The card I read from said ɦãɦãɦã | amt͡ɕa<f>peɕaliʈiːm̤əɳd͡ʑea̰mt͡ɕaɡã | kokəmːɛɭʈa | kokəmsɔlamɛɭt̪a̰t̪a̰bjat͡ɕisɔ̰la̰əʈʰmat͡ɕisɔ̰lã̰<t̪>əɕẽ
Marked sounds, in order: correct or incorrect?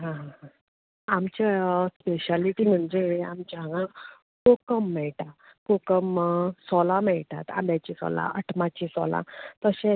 incorrect, correct

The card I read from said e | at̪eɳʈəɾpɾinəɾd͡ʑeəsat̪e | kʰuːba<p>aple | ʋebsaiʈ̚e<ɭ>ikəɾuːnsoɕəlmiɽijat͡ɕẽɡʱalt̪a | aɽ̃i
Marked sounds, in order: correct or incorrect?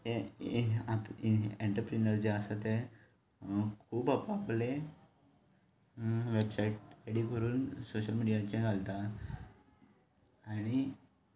correct, incorrect

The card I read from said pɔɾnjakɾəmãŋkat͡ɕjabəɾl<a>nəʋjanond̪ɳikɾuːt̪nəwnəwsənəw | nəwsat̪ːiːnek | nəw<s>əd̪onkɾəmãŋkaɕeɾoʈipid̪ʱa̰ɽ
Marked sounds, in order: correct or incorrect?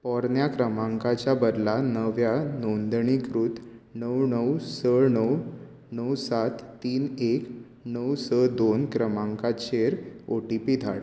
correct, correct

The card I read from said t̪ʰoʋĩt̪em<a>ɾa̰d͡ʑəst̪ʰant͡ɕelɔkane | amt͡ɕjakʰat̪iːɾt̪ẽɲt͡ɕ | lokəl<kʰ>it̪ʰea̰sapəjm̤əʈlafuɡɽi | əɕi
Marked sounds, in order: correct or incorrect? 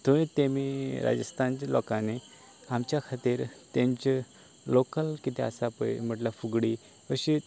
incorrect, incorrect

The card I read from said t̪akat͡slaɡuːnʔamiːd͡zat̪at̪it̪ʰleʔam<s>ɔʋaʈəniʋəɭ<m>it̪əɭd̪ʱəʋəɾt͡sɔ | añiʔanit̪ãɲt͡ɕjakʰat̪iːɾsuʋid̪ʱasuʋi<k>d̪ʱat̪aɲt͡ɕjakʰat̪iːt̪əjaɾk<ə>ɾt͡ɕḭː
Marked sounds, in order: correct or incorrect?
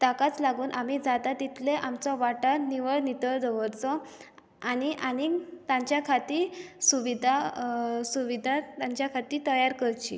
incorrect, incorrect, incorrect, correct

